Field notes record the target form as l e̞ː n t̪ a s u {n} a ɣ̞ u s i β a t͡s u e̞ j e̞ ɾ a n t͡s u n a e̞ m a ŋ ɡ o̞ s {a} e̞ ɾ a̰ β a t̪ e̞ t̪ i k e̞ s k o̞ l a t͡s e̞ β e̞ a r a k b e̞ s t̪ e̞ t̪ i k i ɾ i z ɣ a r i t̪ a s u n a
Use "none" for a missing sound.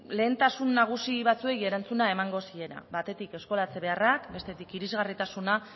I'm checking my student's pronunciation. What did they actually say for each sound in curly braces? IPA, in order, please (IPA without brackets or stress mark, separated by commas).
nː, i